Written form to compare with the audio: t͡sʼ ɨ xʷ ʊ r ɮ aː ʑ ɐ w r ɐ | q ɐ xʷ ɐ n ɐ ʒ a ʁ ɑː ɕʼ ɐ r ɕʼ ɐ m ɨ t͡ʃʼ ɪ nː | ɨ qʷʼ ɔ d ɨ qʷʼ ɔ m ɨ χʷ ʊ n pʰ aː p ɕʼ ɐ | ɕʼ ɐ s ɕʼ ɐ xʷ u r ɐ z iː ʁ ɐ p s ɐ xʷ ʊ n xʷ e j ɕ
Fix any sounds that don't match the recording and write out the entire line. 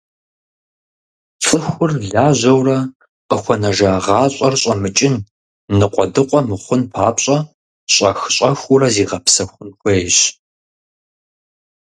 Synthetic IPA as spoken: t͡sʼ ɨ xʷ ʊ r ɮ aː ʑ ɐ w r ɐ | q ə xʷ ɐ n ɐ ʒ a ʁ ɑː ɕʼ ɐ r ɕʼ ɐ m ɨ t͡ʃʼ ɪ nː | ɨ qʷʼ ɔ d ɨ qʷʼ ɔ m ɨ χʷ ʊ n pʰ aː p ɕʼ ɐ | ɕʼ ɐ x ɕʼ ɐ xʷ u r ɐ z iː ʁ ɐ p s ɐ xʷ ʊ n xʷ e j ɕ